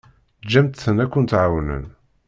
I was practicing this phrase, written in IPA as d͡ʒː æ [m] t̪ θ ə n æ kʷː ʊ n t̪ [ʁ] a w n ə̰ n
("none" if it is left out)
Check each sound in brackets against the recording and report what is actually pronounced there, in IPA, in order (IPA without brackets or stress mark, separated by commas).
m, ʕ